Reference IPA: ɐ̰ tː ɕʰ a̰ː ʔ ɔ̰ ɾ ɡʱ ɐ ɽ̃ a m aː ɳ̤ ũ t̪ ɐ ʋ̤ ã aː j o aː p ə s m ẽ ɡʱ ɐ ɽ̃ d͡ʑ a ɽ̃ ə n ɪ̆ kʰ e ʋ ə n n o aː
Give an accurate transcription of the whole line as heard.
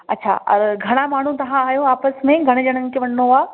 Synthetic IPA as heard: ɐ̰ tː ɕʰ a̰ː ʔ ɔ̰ ɾ ɡʱ ɐ ɽ̃ a m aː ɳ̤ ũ t̪ ɐ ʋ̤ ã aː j o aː p ə s m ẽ ɡʱ ɐ ɽ̃ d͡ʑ ɐ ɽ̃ ə n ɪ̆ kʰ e ʋ ɐ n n o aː